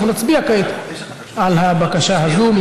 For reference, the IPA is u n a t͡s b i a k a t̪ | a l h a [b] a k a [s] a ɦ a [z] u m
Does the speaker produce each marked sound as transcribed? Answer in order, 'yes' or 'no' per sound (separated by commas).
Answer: yes, no, yes